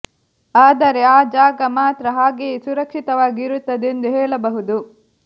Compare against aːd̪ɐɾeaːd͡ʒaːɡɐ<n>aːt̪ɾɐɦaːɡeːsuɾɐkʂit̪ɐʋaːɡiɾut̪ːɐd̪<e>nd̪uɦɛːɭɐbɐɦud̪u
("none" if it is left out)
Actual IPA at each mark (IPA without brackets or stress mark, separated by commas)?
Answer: m, e